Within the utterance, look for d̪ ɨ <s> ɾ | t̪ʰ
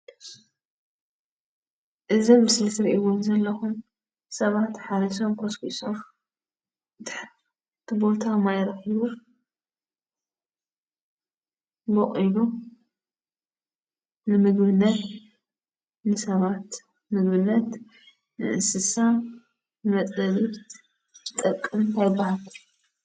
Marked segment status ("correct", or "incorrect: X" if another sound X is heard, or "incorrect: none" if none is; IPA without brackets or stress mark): incorrect: ħ